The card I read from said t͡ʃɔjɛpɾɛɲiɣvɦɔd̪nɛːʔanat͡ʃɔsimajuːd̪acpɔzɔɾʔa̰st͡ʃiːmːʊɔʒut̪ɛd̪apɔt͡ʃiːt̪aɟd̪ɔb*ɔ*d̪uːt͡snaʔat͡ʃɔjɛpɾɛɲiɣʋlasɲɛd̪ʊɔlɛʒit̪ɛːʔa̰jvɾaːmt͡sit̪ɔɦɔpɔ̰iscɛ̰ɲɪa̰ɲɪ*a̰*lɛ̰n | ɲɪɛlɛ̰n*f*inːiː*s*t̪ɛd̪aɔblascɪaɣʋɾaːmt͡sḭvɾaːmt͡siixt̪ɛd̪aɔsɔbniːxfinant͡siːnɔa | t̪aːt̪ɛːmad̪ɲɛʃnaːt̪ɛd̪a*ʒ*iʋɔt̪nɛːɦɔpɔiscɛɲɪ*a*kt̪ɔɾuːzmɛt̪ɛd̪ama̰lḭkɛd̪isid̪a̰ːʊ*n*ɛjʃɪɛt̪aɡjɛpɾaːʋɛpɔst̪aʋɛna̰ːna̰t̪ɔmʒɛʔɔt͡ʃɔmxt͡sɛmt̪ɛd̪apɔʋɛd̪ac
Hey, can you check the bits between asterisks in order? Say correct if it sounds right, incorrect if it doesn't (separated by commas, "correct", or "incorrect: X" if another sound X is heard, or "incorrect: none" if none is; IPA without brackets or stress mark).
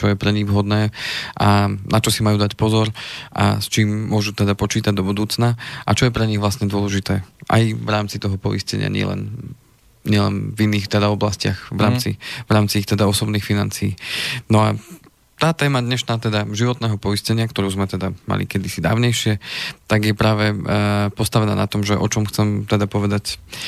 incorrect: u, incorrect: ɛ̰, incorrect: v, incorrect: x, correct, correct, incorrect: ɲ